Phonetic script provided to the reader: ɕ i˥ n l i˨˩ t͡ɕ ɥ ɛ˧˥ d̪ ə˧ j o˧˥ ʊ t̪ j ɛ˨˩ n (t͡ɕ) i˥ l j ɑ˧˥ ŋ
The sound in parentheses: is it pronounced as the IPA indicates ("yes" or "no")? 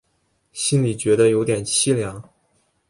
no